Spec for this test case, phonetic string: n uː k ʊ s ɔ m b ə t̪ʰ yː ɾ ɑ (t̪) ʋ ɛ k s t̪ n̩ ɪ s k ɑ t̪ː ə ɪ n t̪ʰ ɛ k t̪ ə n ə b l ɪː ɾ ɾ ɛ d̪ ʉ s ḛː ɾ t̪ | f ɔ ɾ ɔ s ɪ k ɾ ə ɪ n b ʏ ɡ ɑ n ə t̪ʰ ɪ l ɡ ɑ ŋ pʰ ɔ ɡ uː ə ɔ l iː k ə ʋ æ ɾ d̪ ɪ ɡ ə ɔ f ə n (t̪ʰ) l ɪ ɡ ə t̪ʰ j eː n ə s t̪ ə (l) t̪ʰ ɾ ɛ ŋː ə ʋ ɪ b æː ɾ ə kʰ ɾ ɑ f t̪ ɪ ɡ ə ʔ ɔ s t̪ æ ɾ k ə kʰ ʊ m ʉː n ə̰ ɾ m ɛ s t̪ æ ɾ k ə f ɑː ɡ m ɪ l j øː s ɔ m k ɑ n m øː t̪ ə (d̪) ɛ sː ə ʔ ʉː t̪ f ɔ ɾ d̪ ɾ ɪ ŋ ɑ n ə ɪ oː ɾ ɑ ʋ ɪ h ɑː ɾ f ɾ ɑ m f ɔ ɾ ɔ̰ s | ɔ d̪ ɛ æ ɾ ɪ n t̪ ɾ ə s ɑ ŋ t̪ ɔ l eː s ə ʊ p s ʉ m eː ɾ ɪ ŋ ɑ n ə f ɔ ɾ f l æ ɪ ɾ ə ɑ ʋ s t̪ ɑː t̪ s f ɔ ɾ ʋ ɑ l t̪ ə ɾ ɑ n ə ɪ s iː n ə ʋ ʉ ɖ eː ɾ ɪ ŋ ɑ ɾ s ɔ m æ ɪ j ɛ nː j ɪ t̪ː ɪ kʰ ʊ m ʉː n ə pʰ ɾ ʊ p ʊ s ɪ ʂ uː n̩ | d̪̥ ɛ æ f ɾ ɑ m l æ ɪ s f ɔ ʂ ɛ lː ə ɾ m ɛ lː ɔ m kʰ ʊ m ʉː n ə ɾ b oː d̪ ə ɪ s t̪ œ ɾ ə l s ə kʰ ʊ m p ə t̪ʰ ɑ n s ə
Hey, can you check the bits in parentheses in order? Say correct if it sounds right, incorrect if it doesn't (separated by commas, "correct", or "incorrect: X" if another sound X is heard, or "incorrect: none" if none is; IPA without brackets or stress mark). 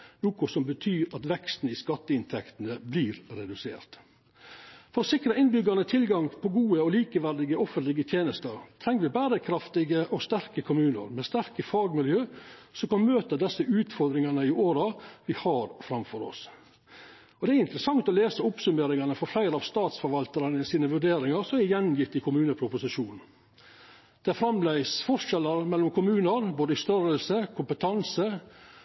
correct, incorrect: t̪, incorrect: ɾ, correct